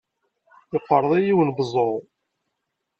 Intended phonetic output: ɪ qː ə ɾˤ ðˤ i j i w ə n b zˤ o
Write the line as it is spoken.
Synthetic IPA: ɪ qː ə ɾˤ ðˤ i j i w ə n b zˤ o